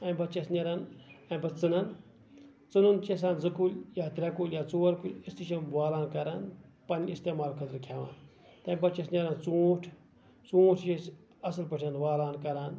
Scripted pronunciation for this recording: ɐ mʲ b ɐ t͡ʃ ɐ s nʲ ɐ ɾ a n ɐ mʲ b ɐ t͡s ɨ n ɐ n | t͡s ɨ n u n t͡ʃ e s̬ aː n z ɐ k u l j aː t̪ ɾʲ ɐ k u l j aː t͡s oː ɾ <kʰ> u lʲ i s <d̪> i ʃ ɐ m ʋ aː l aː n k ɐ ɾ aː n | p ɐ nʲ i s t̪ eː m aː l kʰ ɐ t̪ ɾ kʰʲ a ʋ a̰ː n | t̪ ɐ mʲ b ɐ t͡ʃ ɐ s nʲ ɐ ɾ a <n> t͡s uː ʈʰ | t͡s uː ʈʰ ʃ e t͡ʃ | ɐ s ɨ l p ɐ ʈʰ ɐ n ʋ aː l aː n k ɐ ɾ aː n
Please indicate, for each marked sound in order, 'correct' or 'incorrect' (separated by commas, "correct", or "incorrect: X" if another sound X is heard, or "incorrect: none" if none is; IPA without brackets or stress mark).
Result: incorrect: k, incorrect: t̪, correct